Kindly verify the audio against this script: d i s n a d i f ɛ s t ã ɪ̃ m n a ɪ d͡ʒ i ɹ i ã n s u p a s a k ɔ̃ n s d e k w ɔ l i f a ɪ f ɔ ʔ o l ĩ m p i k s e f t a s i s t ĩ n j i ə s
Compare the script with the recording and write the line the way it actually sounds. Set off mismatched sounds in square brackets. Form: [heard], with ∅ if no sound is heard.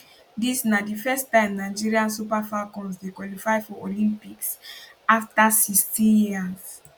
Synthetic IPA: d i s n a d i f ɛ s t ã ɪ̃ m n a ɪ d͡ʒ i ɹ i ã n s u p a [f] a k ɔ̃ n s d e k w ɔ l i f a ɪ f ɔ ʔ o l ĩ m p i k s [a] f t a s i s t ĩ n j i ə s